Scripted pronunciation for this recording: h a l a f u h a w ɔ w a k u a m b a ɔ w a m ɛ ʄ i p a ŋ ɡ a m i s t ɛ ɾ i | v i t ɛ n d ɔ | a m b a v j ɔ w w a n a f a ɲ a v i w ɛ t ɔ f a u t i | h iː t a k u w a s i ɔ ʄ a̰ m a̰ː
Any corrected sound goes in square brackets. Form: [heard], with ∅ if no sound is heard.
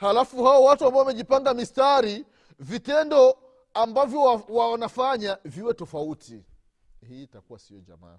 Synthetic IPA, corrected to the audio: h a l a f u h a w ɔ w a [t] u a m b a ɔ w a m ɛ ʄ i p a ŋ ɡ a m i s t [a] ɾ i | v i t ɛ n d ɔ | a m b a v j ɔ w w a n a f a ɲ a v i w ɛ t ɔ f a u t i | h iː t a k u w a s i ɔ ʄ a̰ m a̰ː